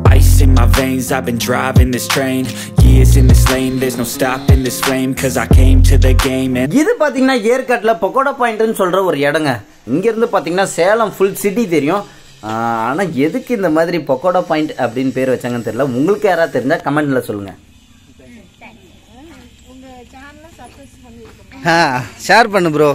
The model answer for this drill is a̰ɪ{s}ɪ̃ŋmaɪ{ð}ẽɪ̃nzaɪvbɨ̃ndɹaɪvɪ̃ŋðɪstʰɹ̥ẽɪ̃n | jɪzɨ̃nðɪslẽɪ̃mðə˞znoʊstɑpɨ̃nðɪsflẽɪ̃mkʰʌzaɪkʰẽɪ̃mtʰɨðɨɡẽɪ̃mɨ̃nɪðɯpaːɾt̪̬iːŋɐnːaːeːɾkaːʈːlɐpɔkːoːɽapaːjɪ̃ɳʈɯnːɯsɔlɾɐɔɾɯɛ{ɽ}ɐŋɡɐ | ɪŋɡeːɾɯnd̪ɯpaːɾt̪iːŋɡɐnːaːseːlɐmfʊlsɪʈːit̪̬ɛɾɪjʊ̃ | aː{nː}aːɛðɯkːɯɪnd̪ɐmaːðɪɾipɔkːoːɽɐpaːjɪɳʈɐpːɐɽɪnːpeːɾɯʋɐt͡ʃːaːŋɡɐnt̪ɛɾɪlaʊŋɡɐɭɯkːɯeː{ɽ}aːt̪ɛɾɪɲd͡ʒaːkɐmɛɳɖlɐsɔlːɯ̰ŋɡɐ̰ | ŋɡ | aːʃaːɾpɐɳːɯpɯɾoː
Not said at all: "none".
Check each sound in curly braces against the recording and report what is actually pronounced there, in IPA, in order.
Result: s, v, ɽ, n, ɾ

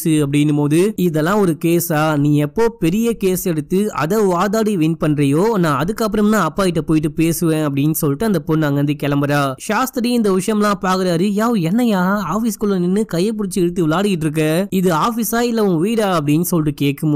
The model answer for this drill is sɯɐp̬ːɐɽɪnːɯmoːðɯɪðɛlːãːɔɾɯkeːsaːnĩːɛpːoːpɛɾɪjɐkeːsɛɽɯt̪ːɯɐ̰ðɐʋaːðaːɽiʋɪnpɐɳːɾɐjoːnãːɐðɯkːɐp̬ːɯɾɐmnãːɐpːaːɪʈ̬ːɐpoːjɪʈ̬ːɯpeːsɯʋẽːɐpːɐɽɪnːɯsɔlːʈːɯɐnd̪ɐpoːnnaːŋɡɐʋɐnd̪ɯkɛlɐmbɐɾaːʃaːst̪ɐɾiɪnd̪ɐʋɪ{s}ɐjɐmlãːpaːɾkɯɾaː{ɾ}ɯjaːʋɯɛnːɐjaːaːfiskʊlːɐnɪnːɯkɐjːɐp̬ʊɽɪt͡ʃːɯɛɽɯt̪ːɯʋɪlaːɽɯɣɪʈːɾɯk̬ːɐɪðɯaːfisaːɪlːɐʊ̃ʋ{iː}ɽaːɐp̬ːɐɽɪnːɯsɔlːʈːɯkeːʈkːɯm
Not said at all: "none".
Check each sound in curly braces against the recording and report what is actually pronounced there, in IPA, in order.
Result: ʂ, ɾ, iː

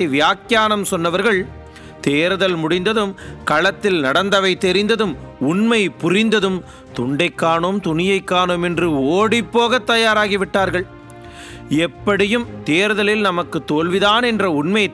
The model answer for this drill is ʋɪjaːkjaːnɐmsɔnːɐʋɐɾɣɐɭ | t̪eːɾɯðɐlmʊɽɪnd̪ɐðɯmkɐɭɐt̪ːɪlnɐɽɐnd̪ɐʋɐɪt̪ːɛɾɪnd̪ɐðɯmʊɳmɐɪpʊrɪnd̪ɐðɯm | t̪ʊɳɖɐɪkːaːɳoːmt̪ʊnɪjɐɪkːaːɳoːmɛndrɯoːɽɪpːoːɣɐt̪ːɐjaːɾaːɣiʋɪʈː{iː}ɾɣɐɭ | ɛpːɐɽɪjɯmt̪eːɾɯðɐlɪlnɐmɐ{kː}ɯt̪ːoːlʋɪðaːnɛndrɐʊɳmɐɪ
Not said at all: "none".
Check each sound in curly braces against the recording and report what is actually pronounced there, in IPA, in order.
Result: aː, kː

